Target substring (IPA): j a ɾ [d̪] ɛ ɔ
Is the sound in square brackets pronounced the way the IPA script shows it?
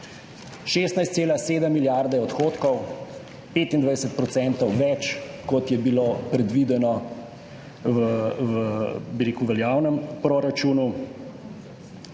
yes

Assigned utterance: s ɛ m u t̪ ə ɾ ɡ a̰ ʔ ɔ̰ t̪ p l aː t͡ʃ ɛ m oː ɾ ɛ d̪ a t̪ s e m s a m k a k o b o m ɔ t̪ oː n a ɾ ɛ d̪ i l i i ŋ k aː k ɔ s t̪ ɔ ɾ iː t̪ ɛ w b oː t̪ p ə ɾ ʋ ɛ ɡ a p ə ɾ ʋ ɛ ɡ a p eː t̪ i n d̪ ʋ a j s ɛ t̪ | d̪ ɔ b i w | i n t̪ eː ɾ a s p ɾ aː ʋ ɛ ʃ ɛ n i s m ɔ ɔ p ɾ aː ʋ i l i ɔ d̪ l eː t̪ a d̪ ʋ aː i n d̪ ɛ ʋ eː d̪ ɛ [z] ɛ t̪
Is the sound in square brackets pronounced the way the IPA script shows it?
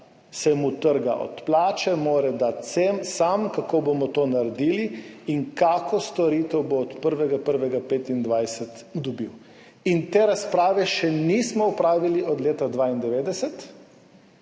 no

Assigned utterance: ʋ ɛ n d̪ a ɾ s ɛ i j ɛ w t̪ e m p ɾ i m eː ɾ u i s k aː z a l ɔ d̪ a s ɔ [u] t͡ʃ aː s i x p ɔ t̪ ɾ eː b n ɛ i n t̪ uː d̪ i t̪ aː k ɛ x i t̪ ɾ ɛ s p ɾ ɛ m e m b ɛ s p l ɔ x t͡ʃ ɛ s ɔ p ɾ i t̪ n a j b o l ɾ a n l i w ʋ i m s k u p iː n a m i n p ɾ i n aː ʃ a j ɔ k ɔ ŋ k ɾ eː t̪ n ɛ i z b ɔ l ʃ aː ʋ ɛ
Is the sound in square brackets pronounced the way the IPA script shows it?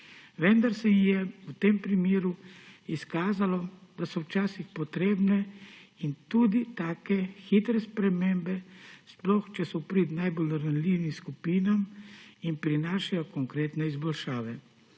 no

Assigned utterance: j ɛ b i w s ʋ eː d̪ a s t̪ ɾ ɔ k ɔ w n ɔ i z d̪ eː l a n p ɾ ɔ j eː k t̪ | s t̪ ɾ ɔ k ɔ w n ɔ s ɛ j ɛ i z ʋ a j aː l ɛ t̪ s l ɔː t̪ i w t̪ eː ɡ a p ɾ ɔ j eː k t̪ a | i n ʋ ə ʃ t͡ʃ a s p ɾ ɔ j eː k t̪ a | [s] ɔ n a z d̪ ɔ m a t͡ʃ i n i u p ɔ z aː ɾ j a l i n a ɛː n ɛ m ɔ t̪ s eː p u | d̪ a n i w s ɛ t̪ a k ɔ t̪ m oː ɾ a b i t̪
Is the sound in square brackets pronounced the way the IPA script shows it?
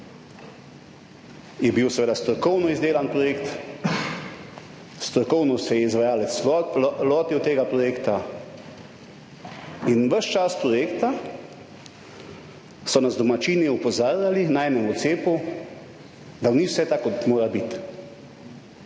yes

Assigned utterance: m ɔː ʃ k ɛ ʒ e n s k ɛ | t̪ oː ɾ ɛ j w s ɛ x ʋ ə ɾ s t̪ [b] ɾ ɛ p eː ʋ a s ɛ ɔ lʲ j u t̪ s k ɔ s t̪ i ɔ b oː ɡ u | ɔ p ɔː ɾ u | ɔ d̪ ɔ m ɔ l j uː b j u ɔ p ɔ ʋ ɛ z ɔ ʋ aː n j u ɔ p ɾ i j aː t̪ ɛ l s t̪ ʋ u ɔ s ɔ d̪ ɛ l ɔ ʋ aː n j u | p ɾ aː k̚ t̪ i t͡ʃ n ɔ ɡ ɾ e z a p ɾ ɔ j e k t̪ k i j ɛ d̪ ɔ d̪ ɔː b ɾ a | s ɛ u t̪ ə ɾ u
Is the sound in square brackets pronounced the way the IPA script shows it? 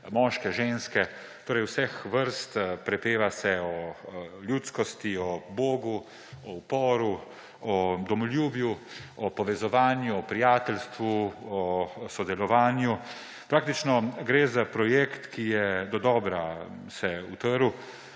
no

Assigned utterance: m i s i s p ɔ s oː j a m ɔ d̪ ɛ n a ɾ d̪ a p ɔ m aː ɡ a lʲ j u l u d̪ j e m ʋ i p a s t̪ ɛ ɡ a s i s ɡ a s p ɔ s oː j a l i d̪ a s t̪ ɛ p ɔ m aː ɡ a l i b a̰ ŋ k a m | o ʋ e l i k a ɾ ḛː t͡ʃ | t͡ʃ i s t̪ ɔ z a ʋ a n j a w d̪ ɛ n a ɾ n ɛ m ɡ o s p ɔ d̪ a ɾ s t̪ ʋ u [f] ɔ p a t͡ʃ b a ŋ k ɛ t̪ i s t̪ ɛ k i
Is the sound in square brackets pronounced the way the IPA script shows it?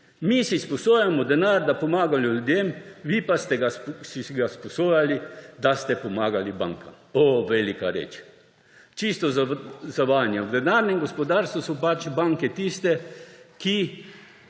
no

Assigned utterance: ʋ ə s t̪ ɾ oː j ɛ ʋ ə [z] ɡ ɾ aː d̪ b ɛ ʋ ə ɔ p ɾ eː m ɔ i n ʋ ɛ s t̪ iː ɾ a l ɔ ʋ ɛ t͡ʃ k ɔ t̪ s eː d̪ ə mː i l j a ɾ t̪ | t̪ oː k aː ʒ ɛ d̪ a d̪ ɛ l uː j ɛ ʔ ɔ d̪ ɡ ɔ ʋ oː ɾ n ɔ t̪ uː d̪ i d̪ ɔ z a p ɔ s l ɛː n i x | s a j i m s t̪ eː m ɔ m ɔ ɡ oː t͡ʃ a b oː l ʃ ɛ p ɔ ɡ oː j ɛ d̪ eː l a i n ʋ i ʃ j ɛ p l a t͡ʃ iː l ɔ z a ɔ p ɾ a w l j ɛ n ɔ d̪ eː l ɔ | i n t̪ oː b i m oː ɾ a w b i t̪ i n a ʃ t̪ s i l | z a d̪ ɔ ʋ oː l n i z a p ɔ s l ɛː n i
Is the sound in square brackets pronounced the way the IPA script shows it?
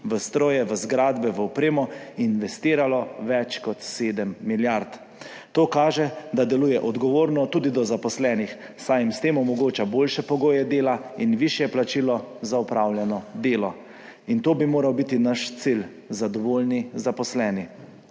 yes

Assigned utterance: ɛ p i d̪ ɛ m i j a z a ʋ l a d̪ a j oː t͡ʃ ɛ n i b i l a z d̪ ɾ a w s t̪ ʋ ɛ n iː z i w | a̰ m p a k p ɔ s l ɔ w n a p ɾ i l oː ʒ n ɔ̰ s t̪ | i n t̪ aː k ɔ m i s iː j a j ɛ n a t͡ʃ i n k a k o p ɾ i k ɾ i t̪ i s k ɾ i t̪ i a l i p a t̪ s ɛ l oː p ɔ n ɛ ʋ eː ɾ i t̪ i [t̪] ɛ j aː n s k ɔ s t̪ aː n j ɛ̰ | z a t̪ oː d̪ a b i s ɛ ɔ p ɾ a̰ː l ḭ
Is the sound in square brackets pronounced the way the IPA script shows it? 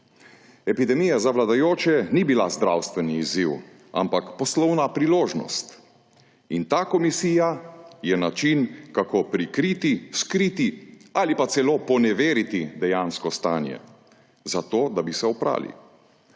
no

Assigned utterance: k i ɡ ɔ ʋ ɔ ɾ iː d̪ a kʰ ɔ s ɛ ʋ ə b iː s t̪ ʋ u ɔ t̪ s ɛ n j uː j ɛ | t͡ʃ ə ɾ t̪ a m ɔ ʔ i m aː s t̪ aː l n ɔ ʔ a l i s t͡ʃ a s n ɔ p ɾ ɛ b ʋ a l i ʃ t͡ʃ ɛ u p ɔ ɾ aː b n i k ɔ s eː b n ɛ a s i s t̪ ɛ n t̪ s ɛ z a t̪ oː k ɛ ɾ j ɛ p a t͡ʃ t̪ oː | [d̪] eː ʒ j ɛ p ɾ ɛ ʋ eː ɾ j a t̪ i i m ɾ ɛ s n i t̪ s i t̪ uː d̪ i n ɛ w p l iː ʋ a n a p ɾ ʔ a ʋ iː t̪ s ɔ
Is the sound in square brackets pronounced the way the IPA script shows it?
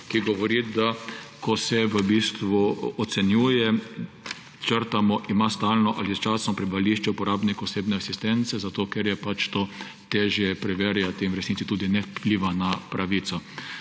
no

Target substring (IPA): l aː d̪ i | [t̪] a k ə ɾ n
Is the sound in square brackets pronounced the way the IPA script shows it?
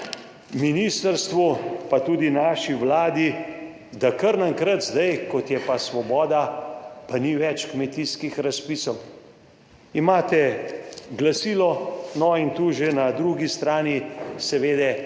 no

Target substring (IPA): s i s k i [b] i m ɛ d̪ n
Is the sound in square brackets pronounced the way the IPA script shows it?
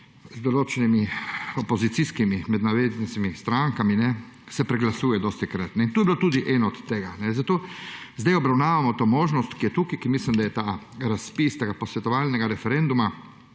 no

